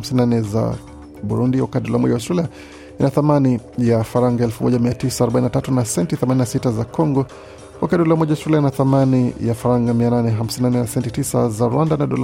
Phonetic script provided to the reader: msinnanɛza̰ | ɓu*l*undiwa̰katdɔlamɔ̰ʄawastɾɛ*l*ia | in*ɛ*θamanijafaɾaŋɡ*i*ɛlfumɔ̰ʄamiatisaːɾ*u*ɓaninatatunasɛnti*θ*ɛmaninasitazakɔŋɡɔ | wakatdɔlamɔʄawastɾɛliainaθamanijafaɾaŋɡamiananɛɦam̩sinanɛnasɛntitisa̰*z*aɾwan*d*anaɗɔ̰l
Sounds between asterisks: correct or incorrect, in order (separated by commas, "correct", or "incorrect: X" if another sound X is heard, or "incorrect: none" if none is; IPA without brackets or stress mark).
incorrect: ɾ, correct, incorrect: a, incorrect: a, incorrect: ɔ, correct, correct, correct